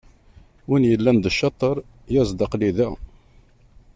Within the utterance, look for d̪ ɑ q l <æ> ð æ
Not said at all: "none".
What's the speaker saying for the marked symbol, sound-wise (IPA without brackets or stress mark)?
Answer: i